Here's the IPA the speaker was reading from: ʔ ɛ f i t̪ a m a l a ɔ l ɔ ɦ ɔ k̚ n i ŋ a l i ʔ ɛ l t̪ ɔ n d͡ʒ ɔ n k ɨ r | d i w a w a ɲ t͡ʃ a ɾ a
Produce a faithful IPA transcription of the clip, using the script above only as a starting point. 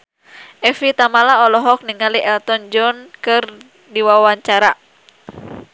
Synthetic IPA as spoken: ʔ ɛ f i t̪ a m a l a ɔ l ɔ ɦ ɔ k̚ n i ŋ a l i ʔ ɛ l t̪ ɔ n d͡ʒ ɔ n k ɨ r | d i w a w a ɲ t͡ʃ a ɾ a